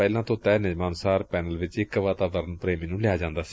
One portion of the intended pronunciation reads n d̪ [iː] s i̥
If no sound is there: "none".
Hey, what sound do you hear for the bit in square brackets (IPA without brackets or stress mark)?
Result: aː